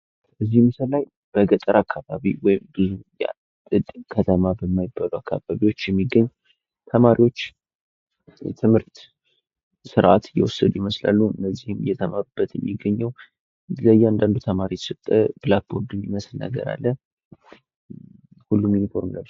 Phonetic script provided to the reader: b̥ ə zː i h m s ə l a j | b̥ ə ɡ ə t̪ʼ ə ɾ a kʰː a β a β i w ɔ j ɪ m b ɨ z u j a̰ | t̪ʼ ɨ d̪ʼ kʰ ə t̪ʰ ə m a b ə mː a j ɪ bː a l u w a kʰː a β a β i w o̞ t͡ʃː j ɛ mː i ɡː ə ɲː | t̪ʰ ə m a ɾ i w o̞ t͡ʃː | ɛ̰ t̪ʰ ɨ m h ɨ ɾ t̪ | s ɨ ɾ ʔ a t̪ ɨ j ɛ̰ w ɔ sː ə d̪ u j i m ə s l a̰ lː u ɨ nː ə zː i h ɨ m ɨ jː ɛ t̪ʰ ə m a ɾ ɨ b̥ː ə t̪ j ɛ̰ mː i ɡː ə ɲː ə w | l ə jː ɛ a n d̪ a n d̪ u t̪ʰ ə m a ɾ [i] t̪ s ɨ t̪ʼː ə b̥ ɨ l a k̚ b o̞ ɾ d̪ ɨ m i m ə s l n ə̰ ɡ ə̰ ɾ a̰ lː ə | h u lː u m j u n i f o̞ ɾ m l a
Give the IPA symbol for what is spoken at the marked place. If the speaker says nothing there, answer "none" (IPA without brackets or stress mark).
i